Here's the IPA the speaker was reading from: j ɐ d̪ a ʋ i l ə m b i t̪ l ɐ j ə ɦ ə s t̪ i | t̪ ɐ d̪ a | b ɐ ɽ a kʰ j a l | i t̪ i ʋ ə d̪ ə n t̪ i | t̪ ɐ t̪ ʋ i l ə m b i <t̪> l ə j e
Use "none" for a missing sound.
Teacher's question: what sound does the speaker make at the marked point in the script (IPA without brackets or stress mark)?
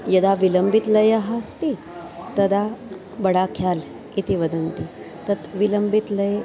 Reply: t̪